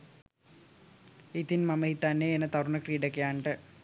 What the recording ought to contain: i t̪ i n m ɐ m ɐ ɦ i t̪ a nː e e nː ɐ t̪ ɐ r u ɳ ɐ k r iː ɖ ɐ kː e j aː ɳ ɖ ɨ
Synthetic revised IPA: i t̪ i n m ɐ m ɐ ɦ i t̪ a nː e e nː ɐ t̪ ɐ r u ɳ ɐ k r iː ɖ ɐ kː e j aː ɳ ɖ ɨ